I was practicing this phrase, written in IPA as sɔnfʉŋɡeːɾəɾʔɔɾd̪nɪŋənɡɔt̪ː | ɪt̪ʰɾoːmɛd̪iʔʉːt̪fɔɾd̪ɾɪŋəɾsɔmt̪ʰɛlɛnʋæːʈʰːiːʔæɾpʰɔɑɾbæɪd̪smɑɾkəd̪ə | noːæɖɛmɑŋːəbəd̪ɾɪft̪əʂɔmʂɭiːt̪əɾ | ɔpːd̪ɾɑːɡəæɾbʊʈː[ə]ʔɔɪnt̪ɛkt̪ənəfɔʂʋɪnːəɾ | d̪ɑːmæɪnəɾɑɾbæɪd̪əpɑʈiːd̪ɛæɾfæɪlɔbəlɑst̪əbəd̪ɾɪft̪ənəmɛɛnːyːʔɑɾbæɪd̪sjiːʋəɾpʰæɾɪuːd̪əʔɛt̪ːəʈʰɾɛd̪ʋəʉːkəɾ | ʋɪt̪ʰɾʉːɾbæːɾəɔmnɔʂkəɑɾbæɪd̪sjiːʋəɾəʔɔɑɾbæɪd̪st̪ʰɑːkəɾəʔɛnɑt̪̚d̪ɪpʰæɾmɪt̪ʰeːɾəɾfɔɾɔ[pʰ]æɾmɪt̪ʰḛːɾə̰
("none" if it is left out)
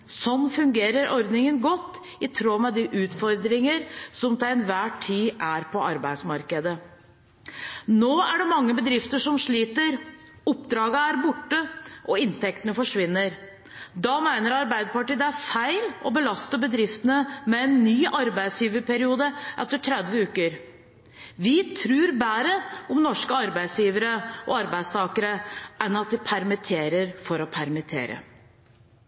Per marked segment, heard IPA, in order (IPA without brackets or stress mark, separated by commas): ə, pʰ